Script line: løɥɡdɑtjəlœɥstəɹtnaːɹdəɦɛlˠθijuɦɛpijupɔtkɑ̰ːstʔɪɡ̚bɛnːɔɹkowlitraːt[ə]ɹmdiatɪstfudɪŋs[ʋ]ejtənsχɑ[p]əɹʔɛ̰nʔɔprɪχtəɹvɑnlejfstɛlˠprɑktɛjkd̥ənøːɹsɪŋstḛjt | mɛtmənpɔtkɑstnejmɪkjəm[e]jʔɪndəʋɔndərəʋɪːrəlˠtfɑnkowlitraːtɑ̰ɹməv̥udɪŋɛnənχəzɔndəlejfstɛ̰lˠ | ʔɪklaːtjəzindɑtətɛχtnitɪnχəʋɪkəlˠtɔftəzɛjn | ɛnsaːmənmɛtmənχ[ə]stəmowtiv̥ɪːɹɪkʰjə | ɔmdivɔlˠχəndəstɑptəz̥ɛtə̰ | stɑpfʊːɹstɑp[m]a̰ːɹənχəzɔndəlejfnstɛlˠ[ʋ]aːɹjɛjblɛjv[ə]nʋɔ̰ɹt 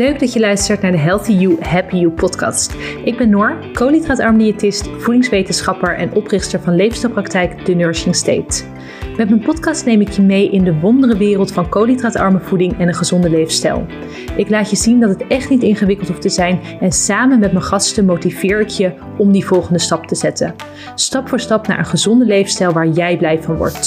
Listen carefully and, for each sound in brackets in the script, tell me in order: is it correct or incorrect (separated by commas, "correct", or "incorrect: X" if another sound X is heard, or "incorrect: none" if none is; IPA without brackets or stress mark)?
incorrect: ɑ, correct, correct, correct, incorrect: ɑ, incorrect: n, correct, incorrect: ɑ